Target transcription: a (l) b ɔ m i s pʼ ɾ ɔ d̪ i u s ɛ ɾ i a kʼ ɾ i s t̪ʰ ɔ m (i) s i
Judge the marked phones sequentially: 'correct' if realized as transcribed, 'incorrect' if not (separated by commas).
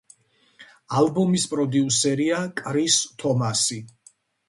correct, incorrect